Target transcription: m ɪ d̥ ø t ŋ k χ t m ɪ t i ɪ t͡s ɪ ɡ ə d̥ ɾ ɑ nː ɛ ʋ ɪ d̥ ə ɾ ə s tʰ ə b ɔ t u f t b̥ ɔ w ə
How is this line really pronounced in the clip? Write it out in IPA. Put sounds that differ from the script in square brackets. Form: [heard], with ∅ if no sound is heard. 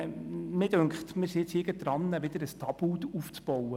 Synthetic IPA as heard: m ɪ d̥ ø [∅] ŋ k χ t m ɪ [s] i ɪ t͡s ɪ ɡ ə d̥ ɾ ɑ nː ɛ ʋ ɪ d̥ ə ɾ ə s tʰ [ɑ] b [u] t u f [t͡s] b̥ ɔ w ə